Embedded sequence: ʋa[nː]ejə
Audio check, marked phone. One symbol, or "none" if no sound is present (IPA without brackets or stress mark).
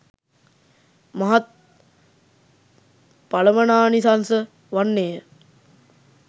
nː